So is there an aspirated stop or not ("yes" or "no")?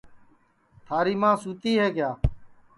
yes